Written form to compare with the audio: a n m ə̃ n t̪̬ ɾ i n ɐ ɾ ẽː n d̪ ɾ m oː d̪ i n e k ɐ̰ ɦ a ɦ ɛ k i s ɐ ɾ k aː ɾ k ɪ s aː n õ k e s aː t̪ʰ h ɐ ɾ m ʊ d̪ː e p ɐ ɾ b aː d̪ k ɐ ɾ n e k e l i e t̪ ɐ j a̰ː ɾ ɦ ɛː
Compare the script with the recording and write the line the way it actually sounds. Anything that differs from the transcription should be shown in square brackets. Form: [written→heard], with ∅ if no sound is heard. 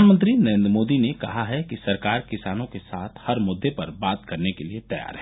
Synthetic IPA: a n m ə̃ n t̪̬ ɾ i n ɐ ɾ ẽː n d̪ ɾ m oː d̪ i n e k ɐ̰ ɦ a ɦ ɛ k i s ɐ ɾ k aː ɾ k ɪ s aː n õ k e s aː t̪ʰ h ɐ ɾ m ʊ d̪ː e p ɐ ɾ b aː [d̪→t̪] k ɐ ɾ n e k e l i e t̪ ɐ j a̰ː ɾ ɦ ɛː